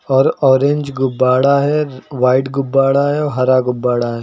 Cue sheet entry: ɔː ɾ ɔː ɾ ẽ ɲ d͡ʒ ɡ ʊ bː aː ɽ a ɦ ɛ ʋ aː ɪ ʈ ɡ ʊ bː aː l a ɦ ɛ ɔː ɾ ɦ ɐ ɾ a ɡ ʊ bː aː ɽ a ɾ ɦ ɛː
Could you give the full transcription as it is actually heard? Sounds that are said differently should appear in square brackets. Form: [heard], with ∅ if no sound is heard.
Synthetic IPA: ɔː ɾ ɔː ɾ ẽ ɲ d͡ʒ ɡ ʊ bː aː ɽ a ɦ ɛ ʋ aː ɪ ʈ ɡ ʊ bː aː [ɽ] a ɦ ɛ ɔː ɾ ɦ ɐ ɾ a ɡ ʊ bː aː ɽ a [∅] ɦ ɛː

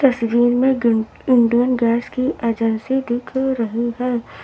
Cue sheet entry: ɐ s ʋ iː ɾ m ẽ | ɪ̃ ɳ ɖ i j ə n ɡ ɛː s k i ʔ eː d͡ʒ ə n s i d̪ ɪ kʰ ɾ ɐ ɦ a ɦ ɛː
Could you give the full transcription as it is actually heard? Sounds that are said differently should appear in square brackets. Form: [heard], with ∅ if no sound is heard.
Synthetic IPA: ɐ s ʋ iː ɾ m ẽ | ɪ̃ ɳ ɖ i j ə n ɡ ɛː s k i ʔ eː d͡ʒ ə n s i d̪ ɪ kʰ ɾ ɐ ɦ [i] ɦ ɛː

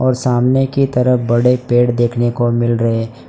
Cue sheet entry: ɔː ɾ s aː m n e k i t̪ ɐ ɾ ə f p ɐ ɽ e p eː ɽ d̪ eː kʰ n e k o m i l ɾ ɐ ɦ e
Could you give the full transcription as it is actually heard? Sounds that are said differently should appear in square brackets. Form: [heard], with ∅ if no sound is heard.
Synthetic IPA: ɔː ɾ s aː m n e k i t̪ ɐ ɾ ə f [b] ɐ ɽ e p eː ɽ d̪ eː kʰ n e k o m [ɪ] l ɾ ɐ ɦ e

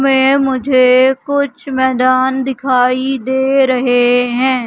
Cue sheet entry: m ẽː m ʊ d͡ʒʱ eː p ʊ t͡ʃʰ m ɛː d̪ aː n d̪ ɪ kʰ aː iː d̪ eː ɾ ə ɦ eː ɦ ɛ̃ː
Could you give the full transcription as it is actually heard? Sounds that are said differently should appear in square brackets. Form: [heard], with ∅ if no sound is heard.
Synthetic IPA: m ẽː m ʊ d͡ʒʱ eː [k] ʊ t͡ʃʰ m ɛː d̪ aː n d̪ ɪ kʰ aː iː d̪ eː ɾ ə ɦ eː ɦ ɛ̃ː

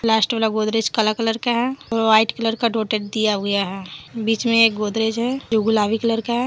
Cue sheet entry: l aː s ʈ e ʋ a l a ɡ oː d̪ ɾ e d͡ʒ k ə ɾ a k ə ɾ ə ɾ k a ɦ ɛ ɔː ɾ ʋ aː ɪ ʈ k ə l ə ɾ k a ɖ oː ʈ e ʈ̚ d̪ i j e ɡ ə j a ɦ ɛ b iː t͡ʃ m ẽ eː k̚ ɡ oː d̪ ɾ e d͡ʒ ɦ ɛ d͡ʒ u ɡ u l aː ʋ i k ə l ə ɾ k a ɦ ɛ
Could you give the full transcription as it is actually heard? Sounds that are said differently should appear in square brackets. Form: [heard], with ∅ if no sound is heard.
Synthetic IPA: l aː s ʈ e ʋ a l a ɡ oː d̪ ɾ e d͡ʒ k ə [l] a k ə [l] ə ɾ k a ɦ ɛ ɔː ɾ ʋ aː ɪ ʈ k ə l ə ɾ k a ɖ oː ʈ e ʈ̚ d̪ i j [a] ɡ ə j a ɦ ɛ b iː t͡ʃ m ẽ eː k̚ ɡ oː d̪ ɾ e d͡ʒ ɦ ɛ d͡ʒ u ɡ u l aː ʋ i k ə l ə ɾ k a ɦ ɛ

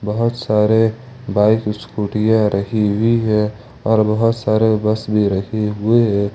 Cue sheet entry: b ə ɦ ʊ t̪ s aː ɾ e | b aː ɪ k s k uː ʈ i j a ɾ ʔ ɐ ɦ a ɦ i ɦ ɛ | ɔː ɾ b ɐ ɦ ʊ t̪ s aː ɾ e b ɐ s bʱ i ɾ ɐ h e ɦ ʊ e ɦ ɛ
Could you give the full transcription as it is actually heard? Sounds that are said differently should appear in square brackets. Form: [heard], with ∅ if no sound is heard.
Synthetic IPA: b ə ɦ ʊ t̪ s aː ɾ e | b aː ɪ k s k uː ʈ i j a ɾ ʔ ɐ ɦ [i] ɦ i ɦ ɛ | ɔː ɾ b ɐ ɦ ʊ t̪ s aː ɾ e b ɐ s bʱ i ɾ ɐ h e ɦ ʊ e ɦ ɛ

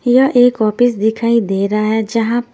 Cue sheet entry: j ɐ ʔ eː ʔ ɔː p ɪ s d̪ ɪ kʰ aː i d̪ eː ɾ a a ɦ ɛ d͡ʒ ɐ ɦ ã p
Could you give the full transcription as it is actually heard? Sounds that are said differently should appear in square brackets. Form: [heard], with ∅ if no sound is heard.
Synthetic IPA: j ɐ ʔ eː [k] ɔː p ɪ s d̪ ɪ kʰ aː i d̪ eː ɾ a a ɦ ɛ d͡ʒ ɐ ɦ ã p

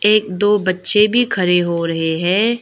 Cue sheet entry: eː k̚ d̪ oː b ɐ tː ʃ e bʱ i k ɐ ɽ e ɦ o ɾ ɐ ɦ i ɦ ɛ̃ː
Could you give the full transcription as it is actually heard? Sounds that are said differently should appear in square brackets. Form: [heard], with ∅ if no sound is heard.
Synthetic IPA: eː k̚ d̪ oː b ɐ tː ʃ e bʱ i [kʰ] ɐ [ɾ] e ɦ o ɾ ɐ ɦ [e] ɦ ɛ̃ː

